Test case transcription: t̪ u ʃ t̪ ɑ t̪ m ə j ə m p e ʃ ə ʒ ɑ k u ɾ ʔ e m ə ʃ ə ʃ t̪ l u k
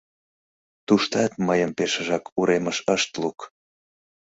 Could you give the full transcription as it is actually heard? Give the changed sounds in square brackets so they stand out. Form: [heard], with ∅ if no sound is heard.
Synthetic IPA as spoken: t̪ u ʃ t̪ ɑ t̪ m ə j ə m p e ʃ ə ʒ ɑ k u ɾ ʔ e m ə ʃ ə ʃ t̪ l u k